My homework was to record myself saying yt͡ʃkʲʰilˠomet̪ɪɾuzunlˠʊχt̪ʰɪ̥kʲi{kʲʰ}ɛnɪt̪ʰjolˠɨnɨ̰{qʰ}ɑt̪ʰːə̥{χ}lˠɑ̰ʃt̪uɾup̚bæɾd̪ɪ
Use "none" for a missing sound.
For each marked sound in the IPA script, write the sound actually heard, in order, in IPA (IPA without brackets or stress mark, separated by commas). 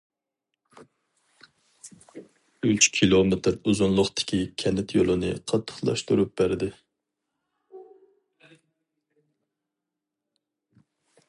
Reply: kʲʰ, qʰ, χ